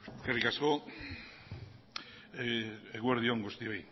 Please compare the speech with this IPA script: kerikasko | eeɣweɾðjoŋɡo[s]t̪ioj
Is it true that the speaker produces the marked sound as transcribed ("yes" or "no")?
yes